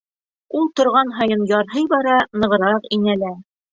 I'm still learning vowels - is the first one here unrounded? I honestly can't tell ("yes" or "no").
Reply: no